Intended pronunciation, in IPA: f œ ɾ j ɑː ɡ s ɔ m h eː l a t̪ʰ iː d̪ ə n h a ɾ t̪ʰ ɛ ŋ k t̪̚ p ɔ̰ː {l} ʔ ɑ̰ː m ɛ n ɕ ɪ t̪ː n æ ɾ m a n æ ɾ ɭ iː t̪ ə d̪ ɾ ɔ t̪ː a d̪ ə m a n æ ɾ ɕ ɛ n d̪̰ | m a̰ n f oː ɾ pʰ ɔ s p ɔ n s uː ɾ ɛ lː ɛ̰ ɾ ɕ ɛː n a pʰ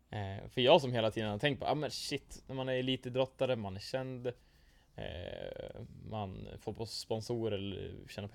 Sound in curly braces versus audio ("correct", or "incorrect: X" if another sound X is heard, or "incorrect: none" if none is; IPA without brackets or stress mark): incorrect: none